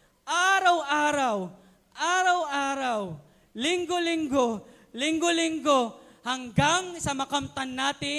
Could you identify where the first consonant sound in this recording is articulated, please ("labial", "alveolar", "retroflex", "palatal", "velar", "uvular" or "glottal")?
glottal